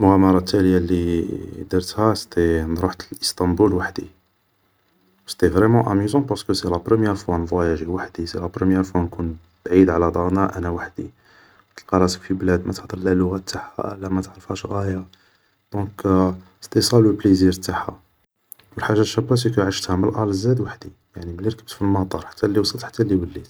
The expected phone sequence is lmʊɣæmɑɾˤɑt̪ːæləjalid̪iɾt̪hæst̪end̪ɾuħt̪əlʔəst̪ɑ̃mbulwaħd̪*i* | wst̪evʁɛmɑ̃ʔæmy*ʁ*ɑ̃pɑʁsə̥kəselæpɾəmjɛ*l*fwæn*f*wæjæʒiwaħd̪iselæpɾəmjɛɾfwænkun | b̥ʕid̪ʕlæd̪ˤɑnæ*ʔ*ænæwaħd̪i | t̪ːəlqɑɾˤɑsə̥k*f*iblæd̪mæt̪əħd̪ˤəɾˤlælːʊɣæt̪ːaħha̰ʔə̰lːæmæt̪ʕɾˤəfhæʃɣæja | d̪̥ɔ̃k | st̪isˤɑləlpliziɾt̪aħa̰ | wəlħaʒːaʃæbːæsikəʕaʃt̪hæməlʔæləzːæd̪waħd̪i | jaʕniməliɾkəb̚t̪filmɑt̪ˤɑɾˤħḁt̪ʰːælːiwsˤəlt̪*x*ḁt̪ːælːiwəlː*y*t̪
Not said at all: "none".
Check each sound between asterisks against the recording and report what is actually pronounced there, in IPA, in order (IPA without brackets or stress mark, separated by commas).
i, z, ɾ, v, ʔ, f, ħ, i